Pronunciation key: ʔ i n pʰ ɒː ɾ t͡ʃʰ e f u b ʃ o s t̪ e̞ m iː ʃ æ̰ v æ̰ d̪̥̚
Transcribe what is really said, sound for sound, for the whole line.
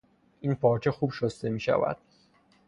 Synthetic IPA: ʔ i n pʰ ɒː ɾ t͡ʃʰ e x u b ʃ o s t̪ e̞ m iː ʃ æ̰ v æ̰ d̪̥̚